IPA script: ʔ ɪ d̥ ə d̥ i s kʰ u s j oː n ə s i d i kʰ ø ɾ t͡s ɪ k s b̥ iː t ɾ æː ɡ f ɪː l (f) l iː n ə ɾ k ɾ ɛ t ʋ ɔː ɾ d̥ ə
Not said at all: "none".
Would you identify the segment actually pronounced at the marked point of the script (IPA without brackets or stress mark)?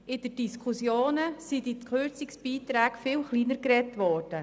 χ